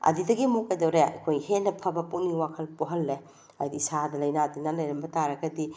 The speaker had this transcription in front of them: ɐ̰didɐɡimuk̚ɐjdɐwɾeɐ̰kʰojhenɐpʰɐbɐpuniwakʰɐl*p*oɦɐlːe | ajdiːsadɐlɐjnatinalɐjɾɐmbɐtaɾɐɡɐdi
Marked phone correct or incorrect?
correct